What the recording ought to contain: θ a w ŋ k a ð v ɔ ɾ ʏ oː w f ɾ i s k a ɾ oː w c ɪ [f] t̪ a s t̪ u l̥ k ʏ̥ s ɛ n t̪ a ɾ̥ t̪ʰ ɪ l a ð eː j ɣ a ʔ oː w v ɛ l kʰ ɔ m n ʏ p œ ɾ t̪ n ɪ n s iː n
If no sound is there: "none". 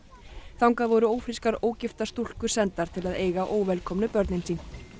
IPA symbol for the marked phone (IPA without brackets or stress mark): f